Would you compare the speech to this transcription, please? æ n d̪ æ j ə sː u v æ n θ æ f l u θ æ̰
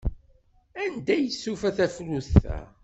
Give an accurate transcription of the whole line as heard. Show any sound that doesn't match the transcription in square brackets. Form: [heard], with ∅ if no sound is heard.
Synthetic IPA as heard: æ n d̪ æ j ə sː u [f] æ [∅] θ æ f l u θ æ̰